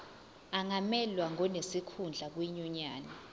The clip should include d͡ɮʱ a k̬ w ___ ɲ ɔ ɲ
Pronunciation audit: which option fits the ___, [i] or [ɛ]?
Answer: i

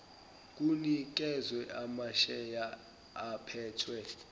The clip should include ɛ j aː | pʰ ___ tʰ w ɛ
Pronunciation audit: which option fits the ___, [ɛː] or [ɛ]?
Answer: ɛː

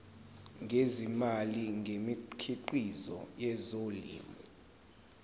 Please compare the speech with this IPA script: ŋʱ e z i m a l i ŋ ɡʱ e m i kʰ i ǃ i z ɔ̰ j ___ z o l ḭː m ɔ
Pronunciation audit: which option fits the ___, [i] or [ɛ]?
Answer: ɛ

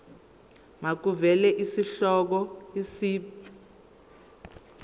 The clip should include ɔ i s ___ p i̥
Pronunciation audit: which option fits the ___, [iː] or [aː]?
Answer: iː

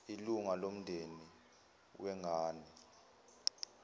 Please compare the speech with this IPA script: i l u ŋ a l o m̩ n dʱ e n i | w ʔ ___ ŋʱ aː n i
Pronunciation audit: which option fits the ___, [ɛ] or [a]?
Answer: ɛ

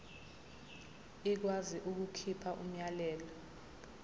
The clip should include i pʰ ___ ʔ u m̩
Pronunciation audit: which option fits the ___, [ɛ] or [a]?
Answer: a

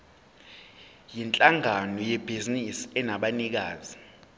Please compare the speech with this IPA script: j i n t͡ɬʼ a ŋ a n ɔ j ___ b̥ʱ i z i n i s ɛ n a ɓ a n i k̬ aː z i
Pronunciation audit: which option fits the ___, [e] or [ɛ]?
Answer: ɛ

